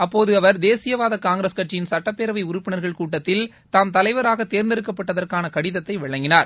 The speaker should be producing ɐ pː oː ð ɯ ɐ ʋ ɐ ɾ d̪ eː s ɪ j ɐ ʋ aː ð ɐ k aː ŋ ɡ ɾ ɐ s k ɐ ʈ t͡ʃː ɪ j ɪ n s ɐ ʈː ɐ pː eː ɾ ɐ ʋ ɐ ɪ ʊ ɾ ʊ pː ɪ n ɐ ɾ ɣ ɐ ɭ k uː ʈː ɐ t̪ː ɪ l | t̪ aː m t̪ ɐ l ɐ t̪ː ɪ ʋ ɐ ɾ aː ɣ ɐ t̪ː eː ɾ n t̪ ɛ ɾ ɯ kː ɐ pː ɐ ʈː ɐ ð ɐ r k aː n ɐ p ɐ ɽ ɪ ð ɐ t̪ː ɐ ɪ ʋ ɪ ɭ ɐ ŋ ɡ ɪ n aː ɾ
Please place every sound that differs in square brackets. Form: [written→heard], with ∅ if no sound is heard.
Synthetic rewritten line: ɐ pː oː ð ɯ ɐ ʋ ɐ ɾ d̪ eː s ɪ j ɐ ʋ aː ð ɐ k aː ŋ ɡ ɾ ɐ s k ɐ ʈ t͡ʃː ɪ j ɪ n s ɐ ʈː ɐ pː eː ɾ ɐ ʋ ɐ ɪ ʊ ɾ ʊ pː ɪ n ɐ ɾ ɣ ɐ ɭ k uː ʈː ɐ t̪ː ɪ l | t̪ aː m t̪ ɐ l ɐ [t̪ː→∅] ɪ ʋ ɐ ɾ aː ɣ ɐ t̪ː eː ɾ n [t̪→d̪] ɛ ɾ ɯ kː ɐ pː ɐ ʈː ɐ ð ɐ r k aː n ɐ [p→k] ɐ ɽ ɪ ð ɐ t̪ː ɐ ɪ ʋ ɪ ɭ ɐ ŋ ɡ ɪ n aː ɾ